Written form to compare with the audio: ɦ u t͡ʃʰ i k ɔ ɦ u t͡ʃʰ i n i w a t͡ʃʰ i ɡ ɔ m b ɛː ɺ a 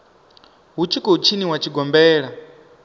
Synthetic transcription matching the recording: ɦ u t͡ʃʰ i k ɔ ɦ u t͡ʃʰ i n i w a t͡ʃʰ i ɡ ɔ m b ɛː ɺ a